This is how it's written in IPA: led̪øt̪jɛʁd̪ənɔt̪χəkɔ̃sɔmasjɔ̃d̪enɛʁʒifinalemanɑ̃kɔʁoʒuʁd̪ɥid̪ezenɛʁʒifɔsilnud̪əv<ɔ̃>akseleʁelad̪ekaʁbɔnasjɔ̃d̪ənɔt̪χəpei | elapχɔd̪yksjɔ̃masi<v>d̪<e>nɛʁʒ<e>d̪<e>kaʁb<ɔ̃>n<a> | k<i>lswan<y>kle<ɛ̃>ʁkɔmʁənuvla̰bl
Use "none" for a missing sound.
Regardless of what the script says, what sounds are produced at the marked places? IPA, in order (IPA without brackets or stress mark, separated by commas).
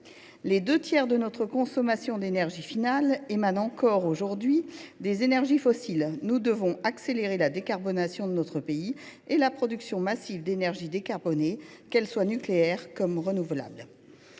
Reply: ɔ̃, v, e, i, e, ɔ, e, ɛ, y, ɛ